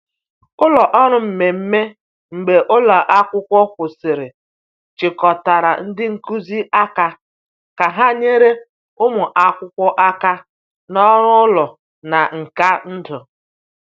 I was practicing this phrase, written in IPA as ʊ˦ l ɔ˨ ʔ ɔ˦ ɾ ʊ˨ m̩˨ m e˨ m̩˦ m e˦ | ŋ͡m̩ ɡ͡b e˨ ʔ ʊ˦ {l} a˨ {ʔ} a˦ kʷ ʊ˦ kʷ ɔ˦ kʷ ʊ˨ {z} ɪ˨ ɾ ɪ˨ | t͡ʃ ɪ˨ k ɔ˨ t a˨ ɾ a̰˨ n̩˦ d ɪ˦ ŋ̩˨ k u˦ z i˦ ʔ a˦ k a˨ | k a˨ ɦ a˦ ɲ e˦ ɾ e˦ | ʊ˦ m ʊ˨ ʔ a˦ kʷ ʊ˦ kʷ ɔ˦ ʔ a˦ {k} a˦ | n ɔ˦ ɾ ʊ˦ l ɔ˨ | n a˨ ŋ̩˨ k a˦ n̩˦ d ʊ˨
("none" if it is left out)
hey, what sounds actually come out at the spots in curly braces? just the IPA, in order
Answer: l, ʔ, s, k

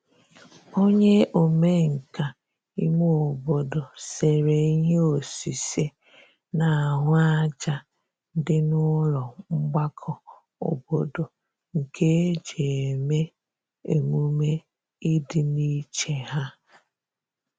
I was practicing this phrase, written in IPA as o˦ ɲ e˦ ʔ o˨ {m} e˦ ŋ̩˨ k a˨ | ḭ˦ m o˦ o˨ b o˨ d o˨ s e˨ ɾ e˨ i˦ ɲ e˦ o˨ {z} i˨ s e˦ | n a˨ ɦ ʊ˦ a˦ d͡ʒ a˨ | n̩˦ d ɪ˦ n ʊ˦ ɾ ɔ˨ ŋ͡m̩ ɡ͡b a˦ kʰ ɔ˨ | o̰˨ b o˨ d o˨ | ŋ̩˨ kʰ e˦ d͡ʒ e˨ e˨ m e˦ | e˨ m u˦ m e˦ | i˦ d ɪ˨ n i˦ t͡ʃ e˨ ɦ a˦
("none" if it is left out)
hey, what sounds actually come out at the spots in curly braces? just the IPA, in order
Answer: m, s

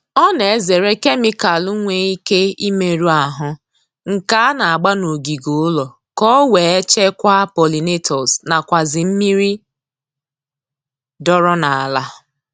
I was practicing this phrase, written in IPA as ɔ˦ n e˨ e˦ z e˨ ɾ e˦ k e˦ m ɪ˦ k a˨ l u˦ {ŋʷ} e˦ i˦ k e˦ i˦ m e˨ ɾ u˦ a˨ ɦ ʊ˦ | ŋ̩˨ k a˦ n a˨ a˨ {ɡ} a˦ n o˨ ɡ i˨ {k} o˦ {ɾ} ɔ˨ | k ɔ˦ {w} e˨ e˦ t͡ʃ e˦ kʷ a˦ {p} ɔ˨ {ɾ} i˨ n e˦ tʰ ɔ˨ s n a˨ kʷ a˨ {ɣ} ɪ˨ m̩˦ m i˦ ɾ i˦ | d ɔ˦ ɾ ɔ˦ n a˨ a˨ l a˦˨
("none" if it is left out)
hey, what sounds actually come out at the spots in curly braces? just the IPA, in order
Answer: ŋʷ, ɡ͡b, ɡ, l, w, p, l, z

